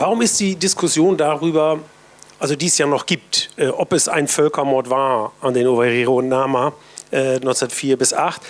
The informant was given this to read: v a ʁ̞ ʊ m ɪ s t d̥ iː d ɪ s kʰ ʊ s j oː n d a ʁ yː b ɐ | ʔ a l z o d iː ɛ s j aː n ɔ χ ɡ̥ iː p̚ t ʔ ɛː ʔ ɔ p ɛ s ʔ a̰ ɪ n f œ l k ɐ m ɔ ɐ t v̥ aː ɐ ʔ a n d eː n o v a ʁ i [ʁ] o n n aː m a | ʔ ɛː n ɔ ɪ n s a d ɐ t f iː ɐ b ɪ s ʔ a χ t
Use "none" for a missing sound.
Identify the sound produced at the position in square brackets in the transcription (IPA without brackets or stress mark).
ʁ